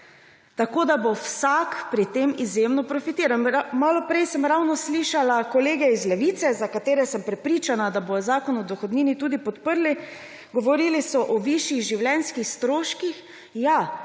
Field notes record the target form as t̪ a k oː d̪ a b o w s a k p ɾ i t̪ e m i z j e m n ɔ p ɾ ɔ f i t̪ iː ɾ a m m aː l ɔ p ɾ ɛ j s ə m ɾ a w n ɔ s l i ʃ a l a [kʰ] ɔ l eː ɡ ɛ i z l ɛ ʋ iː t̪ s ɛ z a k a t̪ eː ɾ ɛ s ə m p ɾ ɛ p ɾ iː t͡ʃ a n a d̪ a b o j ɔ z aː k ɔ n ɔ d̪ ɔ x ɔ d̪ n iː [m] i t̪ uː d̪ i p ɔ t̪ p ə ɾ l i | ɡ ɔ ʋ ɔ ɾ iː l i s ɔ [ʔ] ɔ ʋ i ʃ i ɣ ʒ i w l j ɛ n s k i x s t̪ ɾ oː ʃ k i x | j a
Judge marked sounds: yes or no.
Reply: no, no, yes

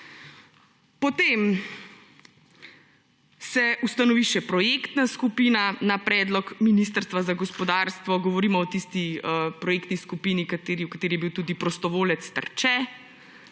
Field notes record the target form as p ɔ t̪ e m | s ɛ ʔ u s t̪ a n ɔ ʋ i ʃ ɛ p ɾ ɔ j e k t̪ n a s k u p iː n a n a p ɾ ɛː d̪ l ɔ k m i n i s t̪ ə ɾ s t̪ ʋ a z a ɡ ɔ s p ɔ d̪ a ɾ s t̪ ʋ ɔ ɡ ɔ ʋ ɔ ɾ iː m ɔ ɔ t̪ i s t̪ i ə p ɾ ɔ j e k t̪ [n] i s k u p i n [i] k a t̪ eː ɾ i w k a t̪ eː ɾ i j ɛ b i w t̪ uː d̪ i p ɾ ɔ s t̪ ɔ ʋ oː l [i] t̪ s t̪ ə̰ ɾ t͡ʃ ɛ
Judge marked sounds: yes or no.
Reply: yes, yes, no

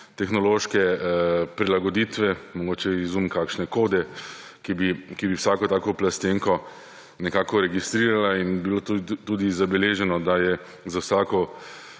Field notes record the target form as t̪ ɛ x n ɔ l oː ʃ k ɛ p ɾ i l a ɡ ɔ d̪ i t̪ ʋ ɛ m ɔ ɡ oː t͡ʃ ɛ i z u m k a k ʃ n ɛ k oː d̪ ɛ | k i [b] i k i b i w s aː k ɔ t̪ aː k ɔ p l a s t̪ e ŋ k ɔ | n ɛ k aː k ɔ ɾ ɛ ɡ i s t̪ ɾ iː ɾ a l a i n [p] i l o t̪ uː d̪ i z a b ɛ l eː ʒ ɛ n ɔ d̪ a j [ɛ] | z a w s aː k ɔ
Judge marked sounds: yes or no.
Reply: yes, no, yes

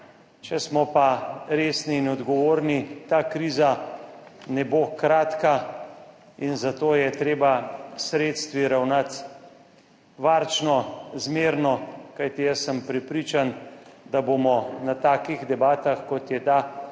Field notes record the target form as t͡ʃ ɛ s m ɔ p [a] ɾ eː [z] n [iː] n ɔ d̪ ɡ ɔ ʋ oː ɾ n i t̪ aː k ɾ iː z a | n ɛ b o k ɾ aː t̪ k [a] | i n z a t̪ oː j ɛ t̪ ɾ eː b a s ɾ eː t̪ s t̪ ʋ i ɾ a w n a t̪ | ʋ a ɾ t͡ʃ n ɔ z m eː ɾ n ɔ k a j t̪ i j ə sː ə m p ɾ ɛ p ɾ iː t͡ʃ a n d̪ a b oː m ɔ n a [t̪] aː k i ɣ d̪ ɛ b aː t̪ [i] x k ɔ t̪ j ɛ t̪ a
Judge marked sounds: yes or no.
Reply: yes, no, yes, yes, yes, no

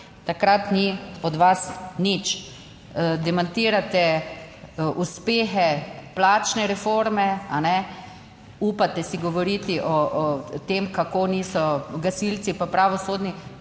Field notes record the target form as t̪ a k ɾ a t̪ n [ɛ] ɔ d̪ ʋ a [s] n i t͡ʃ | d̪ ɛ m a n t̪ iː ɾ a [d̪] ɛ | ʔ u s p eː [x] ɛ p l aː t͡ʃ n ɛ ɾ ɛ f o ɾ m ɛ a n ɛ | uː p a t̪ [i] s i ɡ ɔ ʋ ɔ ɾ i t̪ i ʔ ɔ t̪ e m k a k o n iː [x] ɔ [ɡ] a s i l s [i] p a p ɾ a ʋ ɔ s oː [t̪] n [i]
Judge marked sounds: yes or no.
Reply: no, yes, no, yes, no, no, yes, yes, no, yes

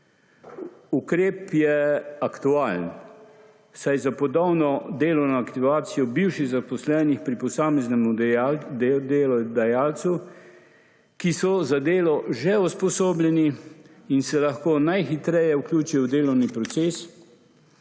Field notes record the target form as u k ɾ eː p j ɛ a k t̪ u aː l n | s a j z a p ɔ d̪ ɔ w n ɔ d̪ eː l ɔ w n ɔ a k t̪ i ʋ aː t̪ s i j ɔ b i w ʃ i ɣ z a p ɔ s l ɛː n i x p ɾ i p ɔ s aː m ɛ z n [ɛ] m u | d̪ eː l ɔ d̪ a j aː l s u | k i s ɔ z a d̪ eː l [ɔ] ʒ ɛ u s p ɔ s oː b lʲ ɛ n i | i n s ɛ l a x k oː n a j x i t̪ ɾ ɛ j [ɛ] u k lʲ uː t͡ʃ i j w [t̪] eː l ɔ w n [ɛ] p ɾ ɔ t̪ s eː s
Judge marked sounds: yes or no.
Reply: yes, yes, yes, no, no

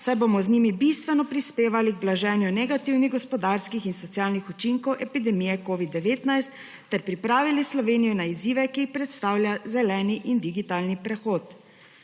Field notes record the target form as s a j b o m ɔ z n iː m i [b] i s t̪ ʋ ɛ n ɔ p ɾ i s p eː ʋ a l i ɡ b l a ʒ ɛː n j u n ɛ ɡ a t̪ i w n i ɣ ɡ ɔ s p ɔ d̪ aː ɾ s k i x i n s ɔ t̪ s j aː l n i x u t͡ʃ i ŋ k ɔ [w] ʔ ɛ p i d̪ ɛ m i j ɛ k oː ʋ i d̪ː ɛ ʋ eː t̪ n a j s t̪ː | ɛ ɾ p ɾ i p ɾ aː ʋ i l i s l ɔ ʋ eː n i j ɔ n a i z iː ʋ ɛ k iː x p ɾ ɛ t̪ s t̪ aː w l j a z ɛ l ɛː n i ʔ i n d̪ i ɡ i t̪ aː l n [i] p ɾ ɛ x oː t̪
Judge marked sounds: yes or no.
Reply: yes, yes, yes

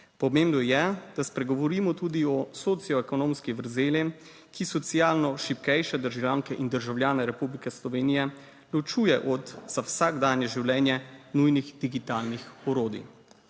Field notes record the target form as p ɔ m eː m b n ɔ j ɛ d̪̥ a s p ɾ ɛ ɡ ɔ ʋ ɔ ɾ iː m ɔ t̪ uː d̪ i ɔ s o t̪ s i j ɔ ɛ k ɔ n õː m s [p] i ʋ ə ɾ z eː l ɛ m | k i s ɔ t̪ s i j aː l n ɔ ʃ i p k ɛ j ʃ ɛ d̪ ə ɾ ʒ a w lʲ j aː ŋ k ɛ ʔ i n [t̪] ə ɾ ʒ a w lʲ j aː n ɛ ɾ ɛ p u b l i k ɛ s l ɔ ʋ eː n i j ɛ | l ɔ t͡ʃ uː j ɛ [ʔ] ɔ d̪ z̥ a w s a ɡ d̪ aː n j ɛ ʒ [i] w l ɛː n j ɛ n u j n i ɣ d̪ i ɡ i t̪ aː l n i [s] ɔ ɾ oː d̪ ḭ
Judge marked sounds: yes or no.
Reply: no, no, yes, yes, no

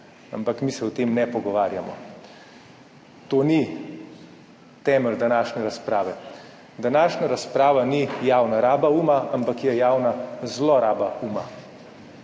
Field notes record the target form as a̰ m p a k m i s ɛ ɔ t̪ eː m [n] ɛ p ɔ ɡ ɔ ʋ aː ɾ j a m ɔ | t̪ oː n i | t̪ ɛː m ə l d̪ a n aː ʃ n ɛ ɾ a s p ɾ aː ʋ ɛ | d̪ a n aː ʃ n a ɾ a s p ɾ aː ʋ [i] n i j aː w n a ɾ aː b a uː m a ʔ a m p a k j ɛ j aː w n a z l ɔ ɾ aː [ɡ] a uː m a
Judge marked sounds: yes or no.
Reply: yes, no, no

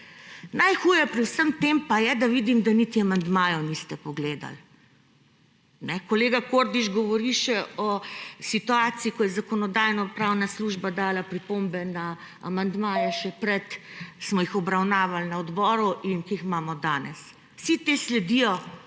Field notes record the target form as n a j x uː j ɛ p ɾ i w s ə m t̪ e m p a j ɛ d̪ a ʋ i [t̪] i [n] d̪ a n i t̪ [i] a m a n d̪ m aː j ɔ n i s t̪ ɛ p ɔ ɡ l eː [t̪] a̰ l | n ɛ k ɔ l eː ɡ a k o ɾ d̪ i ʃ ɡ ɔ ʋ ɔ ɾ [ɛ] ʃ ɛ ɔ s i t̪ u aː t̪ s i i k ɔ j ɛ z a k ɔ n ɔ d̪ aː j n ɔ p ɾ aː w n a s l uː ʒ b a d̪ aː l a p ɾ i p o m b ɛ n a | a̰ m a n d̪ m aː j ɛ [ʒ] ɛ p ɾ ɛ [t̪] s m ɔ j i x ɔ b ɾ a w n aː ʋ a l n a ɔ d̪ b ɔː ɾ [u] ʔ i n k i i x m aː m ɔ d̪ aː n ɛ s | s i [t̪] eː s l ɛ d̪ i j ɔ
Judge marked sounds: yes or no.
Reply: no, no, yes, no, no, no, yes, yes, yes

